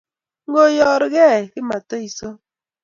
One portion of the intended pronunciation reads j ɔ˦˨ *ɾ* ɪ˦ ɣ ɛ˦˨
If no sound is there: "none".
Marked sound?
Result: ɾ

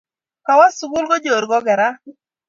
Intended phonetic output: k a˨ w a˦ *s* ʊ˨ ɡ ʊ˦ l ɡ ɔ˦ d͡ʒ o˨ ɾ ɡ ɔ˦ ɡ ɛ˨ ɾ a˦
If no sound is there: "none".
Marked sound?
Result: s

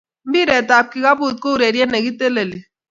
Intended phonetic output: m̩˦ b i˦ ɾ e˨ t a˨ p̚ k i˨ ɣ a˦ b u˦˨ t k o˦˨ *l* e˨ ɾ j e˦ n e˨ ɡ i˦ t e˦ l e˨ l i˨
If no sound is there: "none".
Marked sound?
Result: ɾ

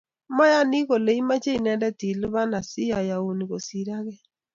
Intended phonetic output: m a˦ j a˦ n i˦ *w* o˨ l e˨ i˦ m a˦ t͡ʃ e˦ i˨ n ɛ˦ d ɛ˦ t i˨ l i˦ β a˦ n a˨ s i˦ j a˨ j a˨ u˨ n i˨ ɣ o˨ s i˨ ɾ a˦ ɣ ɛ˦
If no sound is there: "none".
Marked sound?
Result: ɣ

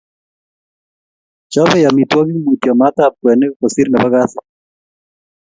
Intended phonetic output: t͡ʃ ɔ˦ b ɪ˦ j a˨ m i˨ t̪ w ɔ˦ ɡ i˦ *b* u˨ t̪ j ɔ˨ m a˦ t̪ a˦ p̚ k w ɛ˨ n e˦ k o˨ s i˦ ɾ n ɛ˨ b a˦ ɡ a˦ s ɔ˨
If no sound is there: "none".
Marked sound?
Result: m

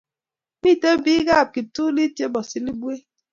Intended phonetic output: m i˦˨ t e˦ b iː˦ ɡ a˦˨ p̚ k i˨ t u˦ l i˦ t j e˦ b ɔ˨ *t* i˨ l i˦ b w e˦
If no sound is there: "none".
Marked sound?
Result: s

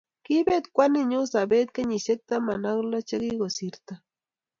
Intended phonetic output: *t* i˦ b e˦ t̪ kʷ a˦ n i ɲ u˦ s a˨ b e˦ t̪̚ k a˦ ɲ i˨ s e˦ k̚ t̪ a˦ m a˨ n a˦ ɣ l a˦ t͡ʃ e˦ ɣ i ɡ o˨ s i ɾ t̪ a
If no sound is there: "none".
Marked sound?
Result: k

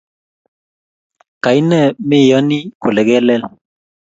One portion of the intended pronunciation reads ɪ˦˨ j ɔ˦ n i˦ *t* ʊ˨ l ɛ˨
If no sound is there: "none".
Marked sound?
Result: k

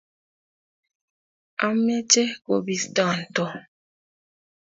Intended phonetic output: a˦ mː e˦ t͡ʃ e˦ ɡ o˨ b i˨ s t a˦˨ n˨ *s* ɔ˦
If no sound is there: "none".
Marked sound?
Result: t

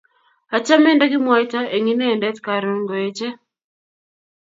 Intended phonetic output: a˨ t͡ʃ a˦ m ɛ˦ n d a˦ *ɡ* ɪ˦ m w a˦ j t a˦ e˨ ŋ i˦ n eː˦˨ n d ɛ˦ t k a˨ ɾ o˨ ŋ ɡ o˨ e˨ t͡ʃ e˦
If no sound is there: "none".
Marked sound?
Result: ɡ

